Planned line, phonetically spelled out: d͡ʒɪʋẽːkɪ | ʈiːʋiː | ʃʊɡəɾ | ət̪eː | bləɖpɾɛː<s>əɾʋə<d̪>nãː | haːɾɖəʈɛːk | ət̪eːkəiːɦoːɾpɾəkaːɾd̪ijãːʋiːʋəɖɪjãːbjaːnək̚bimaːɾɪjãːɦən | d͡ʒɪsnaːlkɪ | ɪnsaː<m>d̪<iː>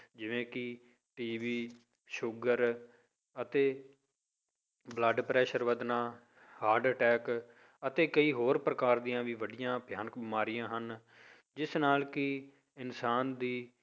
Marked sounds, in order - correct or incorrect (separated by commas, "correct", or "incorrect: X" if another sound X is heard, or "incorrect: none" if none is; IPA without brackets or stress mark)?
incorrect: ʃ, correct, incorrect: n, correct